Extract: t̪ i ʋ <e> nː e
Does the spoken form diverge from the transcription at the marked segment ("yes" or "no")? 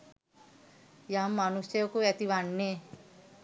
yes